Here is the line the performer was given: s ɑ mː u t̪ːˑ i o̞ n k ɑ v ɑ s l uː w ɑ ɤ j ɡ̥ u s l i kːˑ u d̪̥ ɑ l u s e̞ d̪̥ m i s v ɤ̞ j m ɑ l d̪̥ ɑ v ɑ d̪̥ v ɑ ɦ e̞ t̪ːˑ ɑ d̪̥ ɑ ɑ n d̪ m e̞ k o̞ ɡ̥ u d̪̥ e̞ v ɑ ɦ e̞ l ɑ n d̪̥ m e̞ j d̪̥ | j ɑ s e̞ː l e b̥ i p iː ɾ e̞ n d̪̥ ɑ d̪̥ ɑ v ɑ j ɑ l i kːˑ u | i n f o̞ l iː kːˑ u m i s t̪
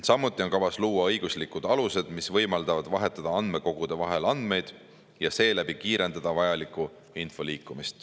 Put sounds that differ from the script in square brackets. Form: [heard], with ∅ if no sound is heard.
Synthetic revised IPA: s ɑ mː u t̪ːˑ i o̞ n k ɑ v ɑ s l uː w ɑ ɤ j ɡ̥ u s l i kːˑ u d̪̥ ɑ l u s e̞ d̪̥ m i s v ɤ̞ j m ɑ l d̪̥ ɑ v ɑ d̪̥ v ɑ ɦ e̞ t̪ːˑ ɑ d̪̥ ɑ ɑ n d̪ m e̞ k o̞ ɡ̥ u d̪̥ e̞ v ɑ ɦ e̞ l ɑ n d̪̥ m e̞ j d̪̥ | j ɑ s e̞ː l [æ] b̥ i [k] iː ɾ e̞ n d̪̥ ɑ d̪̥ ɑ v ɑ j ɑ l i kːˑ u | i n f o̞ l iː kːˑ u m i s t̪